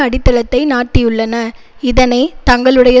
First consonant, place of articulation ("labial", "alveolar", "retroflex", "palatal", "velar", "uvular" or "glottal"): retroflex